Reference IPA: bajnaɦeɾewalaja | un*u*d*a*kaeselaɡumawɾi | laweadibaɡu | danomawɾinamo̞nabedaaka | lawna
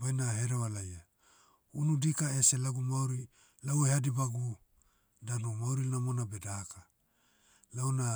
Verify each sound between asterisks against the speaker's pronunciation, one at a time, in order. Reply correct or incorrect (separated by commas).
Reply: correct, incorrect